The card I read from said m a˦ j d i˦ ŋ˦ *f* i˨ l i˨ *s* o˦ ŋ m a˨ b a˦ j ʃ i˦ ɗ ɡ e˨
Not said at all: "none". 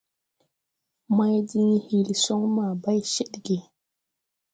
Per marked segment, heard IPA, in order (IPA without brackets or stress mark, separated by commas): h, s